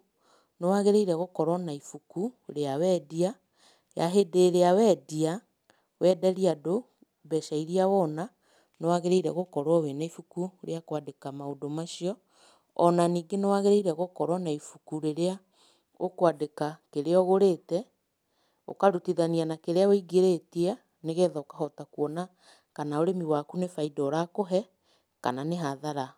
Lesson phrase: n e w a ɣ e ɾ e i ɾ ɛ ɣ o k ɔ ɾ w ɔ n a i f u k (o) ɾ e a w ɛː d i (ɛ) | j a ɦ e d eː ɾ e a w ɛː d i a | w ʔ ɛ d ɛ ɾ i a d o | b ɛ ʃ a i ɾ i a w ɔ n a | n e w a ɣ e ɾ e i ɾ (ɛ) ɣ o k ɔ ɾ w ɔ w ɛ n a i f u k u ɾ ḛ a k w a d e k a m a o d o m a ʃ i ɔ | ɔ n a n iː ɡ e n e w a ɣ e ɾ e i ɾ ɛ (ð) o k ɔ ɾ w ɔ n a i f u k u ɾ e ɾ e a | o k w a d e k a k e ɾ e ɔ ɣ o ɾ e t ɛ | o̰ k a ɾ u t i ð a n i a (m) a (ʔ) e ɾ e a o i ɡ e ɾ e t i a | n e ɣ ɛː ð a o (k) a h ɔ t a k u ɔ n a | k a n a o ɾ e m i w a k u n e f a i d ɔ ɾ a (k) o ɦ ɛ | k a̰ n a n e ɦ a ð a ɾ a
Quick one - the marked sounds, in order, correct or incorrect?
incorrect: u, incorrect: a, correct, incorrect: ɣ, incorrect: n, incorrect: k, correct, correct

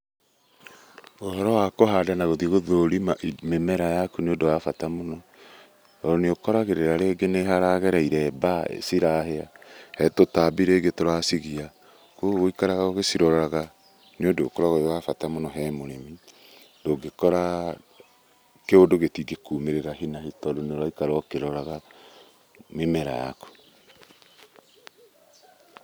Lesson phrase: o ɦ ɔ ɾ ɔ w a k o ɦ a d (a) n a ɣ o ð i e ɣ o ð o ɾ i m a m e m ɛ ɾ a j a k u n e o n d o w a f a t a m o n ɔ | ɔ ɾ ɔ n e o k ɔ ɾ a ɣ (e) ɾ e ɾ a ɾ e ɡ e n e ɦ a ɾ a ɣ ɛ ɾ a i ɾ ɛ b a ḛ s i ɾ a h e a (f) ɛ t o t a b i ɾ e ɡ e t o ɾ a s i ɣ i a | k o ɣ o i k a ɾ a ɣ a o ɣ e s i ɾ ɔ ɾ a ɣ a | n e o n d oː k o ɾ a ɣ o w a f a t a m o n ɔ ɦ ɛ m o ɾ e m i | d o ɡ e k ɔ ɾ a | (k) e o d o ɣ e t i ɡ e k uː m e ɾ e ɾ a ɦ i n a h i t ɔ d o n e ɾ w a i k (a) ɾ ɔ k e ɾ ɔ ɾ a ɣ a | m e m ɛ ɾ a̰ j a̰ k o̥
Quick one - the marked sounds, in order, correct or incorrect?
correct, correct, incorrect: h, correct, correct

